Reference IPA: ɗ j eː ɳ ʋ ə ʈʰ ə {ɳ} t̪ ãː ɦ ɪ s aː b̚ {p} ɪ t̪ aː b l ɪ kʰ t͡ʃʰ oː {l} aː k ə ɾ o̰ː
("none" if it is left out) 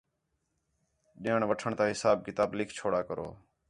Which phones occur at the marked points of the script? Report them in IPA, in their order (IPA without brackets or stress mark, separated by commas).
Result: ɳ, k, ɽ